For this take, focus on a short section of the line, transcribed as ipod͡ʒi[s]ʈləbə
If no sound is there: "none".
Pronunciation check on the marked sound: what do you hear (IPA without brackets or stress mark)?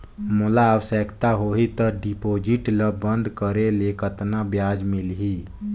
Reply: none